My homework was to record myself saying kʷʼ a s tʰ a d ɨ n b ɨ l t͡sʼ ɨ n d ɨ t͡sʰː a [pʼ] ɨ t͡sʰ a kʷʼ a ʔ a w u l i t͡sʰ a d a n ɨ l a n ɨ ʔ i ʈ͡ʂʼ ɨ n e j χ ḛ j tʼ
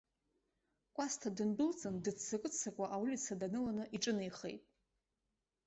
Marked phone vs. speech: incorrect: kʼ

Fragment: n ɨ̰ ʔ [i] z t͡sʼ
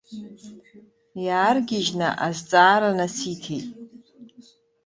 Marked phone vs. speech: incorrect: a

